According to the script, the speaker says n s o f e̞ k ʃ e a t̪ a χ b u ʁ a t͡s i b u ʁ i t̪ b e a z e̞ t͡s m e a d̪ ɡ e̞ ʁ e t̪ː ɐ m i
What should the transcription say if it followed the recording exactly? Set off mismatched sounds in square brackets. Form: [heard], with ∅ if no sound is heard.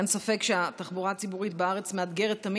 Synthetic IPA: n s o f e̞ k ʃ e a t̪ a χ b u ʁ a t͡s i b u ʁ i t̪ b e a [ʁ] e̞ t͡s m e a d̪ ɡ e̞ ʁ e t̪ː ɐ m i